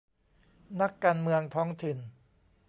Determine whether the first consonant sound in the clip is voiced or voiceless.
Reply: voiced